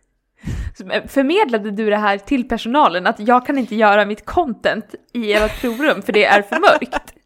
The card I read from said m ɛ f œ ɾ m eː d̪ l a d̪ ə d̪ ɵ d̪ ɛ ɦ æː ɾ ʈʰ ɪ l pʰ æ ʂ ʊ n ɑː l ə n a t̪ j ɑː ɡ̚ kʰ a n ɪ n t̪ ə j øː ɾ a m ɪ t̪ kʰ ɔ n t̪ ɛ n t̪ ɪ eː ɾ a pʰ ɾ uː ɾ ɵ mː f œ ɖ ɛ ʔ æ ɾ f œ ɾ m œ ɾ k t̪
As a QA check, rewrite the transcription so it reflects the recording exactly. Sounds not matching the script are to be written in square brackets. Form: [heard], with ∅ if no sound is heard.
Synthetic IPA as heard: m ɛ f œ ɾ m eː d̪ l a d̪ ə d̪ ɵ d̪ ɛ ɦ æː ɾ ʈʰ ɪ l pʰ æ ʂ ʊ n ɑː l ə n a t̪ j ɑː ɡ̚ kʰ a n ɪ n t̪ ə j [œː] ɾ a m ɪ t̪ kʰ ɔ n t̪ ɛ n t̪ ɪ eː ɾ a pʰ ɾ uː ɾ ɵ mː f œ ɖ ɛ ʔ æ ɾ f œ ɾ m œ ɾ k t̪